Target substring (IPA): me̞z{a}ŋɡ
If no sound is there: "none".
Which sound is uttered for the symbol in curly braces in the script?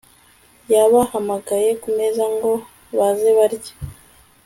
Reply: a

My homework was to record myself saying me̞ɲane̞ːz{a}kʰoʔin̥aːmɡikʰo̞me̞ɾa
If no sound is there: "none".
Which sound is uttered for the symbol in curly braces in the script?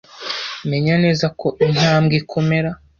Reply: a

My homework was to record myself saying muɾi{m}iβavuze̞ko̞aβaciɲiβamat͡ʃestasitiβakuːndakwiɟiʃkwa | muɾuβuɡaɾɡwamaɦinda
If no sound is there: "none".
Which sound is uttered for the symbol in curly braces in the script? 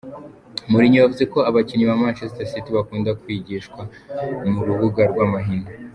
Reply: ɲ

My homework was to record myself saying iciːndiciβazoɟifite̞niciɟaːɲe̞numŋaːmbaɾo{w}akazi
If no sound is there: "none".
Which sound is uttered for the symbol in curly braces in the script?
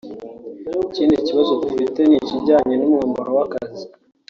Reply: w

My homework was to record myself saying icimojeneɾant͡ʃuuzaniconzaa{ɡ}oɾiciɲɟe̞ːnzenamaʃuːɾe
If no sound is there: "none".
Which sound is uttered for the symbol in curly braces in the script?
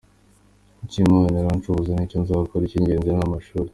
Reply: k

